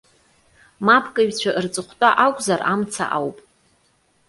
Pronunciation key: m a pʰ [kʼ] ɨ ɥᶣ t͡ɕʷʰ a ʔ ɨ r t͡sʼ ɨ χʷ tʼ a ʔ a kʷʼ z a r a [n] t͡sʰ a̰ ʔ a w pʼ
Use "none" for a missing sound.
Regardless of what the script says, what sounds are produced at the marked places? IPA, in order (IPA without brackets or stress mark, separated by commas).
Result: kʼ, m